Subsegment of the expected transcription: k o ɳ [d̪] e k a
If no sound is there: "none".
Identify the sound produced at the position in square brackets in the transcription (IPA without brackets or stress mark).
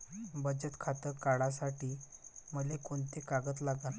t̪